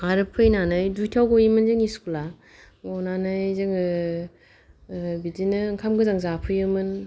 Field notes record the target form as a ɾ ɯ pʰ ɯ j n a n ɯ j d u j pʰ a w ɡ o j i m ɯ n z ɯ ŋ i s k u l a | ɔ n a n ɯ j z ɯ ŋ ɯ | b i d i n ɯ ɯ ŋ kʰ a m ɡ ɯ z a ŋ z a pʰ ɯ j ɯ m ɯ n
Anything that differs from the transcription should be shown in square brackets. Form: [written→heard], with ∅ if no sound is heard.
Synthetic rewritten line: a ɾ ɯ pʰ ɯ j n a n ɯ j d u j [pʰ→tʰ] a w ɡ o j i m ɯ n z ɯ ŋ i s k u l a | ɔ n a n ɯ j z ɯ ŋ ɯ | b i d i n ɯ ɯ ŋ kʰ a m ɡ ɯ z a ŋ z a pʰ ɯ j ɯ m ɯ n

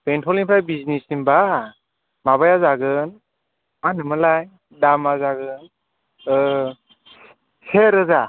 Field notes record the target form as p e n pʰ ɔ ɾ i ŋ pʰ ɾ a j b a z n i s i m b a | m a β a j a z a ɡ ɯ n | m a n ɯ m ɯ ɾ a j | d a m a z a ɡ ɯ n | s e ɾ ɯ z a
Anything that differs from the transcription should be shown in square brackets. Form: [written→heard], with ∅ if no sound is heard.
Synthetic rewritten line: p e n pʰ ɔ [ɾ→l] i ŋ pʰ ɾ a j b [a→i] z n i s i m b a | m a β a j a z a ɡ ɯ n | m a n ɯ m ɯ [ɾ→l] a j | d a m a z a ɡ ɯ n | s e ɾ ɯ z a

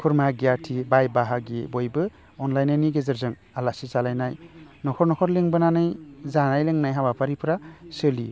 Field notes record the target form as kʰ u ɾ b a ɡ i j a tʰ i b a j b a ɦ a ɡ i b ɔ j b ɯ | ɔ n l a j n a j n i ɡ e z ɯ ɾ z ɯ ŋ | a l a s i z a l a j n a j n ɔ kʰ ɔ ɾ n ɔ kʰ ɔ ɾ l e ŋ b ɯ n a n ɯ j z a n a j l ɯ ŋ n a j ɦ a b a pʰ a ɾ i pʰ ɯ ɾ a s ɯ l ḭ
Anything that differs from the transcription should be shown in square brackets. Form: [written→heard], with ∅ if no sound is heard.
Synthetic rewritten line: kʰ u ɾ [b→m] a ɡ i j a tʰ i b a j b a ɦ a ɡ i b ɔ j b ɯ | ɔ n l a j n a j n i ɡ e z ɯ ɾ z ɯ ŋ | a l a s i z a l a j n a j n ɔ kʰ ɔ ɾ n ɔ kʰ ɔ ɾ l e ŋ b ɯ n a n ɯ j z a n a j l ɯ ŋ n a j ɦ a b a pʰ a ɾ i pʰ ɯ ɾ a s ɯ l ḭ

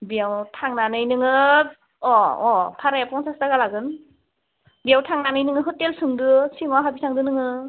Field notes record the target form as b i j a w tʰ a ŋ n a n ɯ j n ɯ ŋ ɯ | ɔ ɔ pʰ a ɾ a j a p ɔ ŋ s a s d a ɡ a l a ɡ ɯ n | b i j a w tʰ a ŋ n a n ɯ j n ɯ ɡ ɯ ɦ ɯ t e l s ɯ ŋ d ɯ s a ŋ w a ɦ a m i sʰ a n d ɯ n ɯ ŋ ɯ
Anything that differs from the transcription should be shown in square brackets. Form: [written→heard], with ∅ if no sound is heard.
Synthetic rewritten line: b i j a w tʰ a ŋ n a n ɯ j n ɯ ŋ ɯ | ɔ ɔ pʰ a ɾ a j a p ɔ ŋ s a s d a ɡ a l a ɡ ɯ n | b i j a w tʰ a ŋ n a n ɯ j n ɯ [ɡ→ŋ] ɯ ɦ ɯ t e l s ɯ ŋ d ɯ s [a→i] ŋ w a ɦ a [m→b] i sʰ a [n→ŋ] d ɯ n ɯ ŋ ɯ

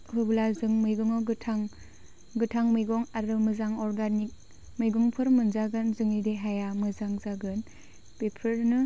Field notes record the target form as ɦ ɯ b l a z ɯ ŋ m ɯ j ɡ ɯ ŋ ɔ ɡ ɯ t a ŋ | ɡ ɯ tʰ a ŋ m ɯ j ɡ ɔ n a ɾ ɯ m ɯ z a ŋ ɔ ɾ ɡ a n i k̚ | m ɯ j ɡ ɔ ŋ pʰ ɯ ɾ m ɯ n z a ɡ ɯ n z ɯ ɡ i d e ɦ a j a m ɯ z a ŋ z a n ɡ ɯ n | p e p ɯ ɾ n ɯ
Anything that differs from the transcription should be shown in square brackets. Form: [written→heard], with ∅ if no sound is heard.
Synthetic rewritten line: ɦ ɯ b l a z ɯ ŋ m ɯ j ɡ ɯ ŋ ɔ ɡ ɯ [t→tʰ] a ŋ | ɡ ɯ tʰ a ŋ m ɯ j ɡ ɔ [n→ŋ] a ɾ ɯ m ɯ z a ŋ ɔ ɾ ɡ a n i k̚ | m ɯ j ɡ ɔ ŋ pʰ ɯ ɾ m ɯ n z a ɡ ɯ n z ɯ [ɡ→ŋ] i d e ɦ a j a m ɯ z a ŋ z a [n→∅] ɡ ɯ n | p e [p→pʰ] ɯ ɾ n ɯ

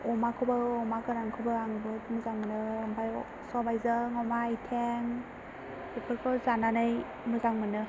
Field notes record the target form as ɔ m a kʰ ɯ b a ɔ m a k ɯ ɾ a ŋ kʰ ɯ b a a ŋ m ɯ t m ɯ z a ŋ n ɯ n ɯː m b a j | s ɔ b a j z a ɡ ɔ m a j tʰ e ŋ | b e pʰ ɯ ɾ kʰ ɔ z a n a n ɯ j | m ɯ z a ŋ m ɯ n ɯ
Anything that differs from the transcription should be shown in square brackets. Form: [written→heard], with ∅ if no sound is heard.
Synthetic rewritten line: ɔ m a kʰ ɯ b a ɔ m a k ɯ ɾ a ŋ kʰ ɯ b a a ŋ [m→b] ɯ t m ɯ z a ŋ [n→m] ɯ n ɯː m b a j | s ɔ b a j z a [ɡ→ŋ] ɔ m a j tʰ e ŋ | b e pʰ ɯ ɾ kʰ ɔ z a n a n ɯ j | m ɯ z a ŋ m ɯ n ɯ

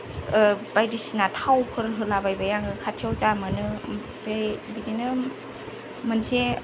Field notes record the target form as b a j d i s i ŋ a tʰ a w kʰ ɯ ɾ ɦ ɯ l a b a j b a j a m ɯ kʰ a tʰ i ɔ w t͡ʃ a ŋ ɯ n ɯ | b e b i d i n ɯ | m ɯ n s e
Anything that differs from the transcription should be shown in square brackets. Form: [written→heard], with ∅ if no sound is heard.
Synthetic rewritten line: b a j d i s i [ŋ→n] a tʰ a w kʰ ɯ ɾ ɦ ɯ l a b a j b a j a [m→ŋ] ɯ kʰ a tʰ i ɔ w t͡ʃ a [ŋ→m] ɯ n ɯ | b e b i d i n ɯ | m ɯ n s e

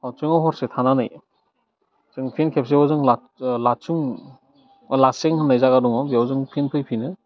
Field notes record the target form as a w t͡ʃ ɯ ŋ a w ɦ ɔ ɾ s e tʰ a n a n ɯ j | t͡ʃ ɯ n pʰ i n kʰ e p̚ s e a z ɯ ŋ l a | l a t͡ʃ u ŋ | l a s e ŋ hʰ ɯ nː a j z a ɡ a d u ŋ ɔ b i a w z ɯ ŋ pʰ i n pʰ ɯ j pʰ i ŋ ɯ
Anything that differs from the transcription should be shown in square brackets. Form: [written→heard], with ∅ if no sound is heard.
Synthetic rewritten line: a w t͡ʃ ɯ ŋ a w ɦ ɔ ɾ s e tʰ a n a n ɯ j | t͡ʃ ɯ [n→ŋ] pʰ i n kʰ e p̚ s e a z ɯ ŋ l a | l a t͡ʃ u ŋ | l a s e ŋ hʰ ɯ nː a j z a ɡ a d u ŋ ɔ b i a w z ɯ ŋ pʰ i n pʰ ɯ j pʰ i [ŋ→n] ɯ

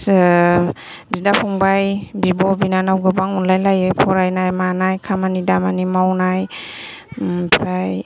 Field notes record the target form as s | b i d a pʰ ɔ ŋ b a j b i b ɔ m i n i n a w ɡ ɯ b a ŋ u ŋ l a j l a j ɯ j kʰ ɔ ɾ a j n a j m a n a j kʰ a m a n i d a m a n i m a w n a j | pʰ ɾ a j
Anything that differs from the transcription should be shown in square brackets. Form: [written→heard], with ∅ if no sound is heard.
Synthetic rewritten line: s | b i d a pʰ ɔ ŋ b a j b i b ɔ [m→b] i n [i→a] n a w ɡ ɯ b a ŋ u [ŋ→n] l a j l a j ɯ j [kʰ→pʰ] ɔ ɾ a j n a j m a n a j kʰ a m a n i d a m a n i m a w n a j | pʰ ɾ a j

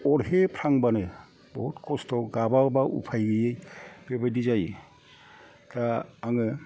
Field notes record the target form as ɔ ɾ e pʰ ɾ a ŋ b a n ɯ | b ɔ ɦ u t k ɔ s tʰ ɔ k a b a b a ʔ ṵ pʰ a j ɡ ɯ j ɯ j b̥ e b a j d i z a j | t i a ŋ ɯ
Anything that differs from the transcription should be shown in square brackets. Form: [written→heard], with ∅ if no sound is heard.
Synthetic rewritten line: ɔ ɾ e pʰ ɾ a ŋ b a n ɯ | b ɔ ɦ u t k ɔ s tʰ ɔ [k→ɡ] a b a b a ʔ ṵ pʰ a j ɡ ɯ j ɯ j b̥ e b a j d i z a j | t [i→a] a ŋ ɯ

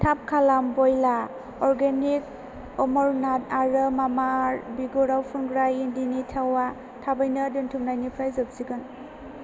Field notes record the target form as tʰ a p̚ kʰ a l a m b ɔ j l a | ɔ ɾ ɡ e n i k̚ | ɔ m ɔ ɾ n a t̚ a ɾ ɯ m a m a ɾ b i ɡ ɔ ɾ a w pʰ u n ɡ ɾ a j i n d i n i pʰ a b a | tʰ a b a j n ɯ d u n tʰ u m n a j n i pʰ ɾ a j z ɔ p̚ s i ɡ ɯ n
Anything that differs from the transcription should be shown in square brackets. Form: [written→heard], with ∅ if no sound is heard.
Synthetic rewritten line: tʰ a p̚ kʰ a l a m b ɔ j l a | ɔ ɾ ɡ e n i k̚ | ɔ m ɔ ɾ n a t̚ a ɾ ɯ m a m a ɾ b i ɡ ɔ ɾ a w pʰ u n ɡ ɾ a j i n d i n i [pʰ→tʰ] a [b→w] a | tʰ a b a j n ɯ d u n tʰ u m n a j n i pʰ ɾ a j z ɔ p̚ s i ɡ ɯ n

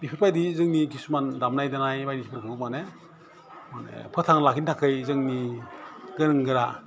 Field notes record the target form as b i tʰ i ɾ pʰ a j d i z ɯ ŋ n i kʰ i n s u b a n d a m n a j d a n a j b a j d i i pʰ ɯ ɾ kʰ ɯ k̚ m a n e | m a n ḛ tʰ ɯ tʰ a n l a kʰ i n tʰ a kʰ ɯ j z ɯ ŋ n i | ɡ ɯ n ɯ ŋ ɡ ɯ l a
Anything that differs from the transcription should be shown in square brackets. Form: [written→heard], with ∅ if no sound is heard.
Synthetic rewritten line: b i [tʰ→pʰ] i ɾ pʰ a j d i z ɯ ŋ n i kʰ i [n→∅] s u [b→m] a n d a m n a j d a n a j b a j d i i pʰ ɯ ɾ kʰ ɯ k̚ m a n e | m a n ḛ [tʰ→pʰ] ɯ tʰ a [n→ŋ] l a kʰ i n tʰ a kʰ ɯ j z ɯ ŋ n i | ɡ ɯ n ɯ ŋ ɡ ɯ [l→ɾ] a

